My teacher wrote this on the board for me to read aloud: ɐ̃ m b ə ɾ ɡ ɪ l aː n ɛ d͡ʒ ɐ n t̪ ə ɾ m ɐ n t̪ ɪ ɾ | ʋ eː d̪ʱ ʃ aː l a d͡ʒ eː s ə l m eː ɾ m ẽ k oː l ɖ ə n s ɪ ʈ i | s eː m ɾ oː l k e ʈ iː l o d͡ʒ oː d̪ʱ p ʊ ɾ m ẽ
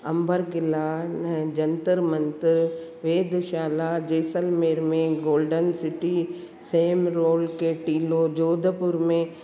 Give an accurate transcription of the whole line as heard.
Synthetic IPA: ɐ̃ m b ə ɾ ɡ ɪ l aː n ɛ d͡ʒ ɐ n t̪ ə ɾ m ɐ n t̪ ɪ ɾ | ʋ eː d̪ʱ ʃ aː l a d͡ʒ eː s ə l m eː ɾ m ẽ ɡ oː l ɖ ə n s ɪ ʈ i | s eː m ɾ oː l k e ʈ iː l o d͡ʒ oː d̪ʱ p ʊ ɾ m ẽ